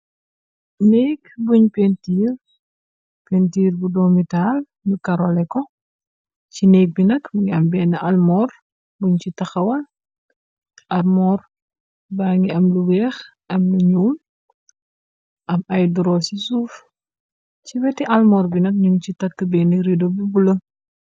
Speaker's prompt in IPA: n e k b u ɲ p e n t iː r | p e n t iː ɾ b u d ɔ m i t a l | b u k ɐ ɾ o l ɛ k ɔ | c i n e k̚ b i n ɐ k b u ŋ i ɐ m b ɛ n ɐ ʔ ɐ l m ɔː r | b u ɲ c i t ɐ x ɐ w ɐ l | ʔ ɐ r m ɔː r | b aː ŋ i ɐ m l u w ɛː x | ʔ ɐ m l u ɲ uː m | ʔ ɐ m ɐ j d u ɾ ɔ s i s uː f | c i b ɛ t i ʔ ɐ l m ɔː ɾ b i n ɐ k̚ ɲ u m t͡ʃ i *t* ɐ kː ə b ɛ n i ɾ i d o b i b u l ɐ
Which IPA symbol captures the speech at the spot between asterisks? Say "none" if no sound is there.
t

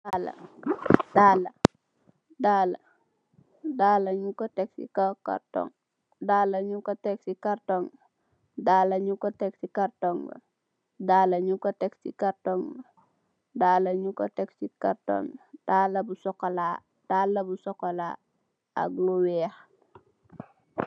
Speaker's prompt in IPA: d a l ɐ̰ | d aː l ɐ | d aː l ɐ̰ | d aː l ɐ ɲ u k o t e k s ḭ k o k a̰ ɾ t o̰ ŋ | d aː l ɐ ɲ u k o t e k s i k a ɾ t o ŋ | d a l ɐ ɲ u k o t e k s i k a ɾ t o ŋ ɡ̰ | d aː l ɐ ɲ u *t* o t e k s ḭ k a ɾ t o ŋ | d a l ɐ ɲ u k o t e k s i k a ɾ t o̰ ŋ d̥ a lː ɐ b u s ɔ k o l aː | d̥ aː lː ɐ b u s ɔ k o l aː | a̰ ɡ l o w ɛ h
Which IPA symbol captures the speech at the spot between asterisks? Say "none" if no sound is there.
k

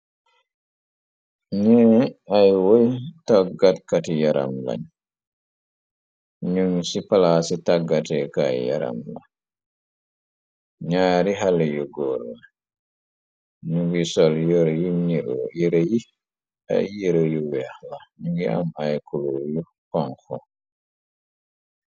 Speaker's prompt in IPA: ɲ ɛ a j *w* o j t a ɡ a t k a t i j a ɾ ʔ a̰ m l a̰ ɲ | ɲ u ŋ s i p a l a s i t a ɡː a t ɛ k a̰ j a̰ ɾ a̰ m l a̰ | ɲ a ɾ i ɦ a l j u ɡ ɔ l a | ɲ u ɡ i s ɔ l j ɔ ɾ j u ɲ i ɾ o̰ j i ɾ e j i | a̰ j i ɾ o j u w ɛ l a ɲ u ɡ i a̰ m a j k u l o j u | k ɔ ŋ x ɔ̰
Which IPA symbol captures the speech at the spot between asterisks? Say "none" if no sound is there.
w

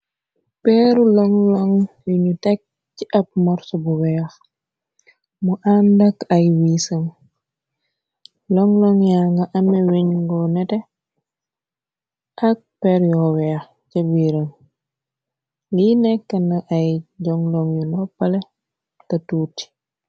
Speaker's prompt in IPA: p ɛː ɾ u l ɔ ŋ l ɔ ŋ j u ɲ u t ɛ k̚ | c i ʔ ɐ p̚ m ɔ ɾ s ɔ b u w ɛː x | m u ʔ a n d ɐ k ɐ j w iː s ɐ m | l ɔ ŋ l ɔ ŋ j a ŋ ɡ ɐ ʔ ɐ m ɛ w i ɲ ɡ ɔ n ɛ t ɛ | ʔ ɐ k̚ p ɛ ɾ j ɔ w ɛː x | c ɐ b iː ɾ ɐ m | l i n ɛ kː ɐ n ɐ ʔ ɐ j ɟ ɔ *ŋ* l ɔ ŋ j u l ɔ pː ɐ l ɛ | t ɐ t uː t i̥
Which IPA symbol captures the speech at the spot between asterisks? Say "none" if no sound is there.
ŋ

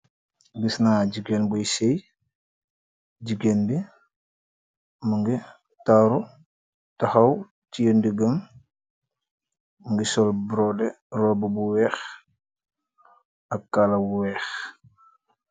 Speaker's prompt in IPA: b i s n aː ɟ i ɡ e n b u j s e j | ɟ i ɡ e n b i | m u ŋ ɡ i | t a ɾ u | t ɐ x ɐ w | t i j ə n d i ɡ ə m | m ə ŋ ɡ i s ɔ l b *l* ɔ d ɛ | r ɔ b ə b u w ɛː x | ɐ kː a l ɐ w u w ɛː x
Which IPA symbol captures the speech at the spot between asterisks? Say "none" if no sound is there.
ɾ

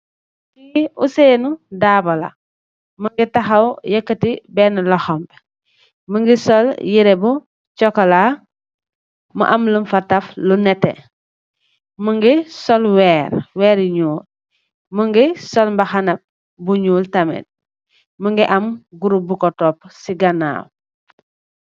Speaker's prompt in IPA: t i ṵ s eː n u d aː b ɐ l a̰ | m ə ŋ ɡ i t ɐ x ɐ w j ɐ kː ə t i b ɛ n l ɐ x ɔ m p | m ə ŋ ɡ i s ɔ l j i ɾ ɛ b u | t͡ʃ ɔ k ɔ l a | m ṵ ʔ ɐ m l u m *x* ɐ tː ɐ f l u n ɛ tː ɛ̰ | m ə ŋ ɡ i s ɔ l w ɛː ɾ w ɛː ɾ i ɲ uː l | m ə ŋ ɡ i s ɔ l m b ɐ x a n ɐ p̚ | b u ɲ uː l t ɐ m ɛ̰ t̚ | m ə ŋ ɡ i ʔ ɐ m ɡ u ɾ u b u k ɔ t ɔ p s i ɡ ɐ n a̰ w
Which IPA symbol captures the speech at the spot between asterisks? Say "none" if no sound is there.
f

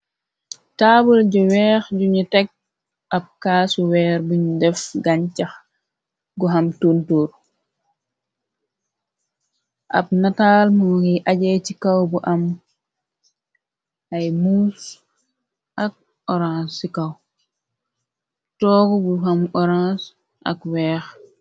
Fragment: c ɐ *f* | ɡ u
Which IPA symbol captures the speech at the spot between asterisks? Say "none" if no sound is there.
x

